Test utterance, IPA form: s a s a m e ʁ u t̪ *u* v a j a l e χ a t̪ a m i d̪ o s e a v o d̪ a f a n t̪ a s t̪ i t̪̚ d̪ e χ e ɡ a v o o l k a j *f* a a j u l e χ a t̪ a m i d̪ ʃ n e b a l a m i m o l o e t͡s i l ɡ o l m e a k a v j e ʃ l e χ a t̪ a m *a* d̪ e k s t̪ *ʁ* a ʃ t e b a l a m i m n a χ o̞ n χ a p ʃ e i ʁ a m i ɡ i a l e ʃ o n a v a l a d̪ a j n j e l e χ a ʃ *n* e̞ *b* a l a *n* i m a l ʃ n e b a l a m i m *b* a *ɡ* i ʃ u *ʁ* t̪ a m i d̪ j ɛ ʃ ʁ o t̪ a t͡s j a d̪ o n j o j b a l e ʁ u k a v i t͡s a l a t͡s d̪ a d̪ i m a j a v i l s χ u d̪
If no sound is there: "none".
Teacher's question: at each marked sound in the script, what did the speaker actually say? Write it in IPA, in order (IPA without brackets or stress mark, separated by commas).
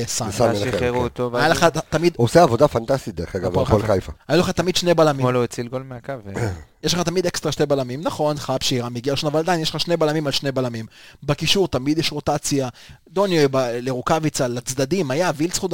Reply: o, f, i, ʁ, n, b, m, b, k, ʁ